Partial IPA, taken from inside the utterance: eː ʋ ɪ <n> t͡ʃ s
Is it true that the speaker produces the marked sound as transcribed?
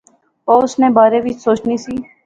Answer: no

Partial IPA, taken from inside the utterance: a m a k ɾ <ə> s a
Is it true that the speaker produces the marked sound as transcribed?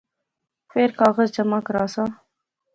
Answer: no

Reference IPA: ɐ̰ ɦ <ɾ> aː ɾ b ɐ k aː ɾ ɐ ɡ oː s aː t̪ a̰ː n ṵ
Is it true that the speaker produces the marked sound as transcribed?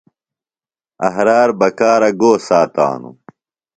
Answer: yes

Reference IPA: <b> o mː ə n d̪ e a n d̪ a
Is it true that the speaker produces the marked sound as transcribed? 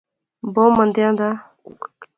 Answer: yes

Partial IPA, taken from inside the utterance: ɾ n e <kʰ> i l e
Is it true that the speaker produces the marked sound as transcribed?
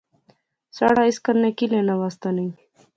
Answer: no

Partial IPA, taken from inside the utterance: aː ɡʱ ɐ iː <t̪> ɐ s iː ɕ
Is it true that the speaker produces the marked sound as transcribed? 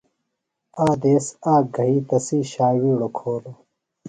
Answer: yes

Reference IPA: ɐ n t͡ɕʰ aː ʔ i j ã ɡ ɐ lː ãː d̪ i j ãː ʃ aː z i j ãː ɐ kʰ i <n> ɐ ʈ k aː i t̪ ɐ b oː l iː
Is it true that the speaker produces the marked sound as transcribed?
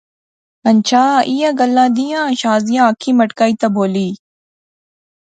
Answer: no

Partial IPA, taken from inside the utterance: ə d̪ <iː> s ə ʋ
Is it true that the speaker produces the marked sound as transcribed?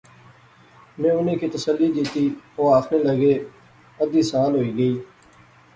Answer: yes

